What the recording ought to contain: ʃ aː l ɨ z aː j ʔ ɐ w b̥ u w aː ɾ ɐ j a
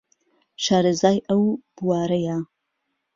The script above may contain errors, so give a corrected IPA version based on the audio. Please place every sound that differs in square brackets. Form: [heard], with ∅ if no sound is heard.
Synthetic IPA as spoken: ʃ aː [ɾ] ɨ z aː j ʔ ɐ w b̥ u w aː ɾ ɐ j a